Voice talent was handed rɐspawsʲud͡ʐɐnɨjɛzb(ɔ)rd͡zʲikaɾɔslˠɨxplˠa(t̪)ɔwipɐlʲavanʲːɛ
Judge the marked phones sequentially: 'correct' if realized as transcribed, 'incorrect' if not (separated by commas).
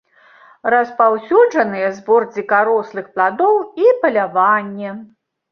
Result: correct, incorrect